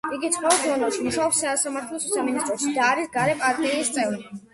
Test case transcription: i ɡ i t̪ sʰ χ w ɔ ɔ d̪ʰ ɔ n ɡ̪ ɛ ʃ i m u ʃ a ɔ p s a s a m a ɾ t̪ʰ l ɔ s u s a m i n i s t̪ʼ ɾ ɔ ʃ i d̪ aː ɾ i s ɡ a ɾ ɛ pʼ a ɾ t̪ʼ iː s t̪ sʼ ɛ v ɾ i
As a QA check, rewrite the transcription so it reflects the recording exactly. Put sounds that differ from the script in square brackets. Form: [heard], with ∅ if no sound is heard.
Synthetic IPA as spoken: i ɡ i t̪ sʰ χ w ɔ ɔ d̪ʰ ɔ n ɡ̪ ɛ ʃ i m u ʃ a ɔ p s a s a m a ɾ t̪ʰ l ɔ s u s a m i n i s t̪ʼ ɾ ɔ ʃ i d̪ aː ɾ i s ɡ a ɾ ɛ pʼ a ɾ t̪ʼ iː s t̪ sʼ ɛ v ɾ i